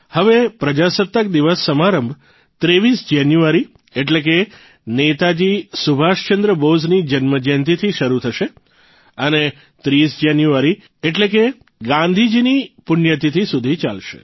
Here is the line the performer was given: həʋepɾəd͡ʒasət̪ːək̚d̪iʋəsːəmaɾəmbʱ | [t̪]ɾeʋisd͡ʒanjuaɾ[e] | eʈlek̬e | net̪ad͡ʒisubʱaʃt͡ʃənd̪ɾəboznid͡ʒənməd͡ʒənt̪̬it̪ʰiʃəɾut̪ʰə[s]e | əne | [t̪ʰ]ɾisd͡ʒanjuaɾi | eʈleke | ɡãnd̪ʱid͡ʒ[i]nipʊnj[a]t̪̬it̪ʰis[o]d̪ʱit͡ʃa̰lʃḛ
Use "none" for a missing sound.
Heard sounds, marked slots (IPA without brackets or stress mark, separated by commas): t̪, i, ʃ, t̪, i, ə, u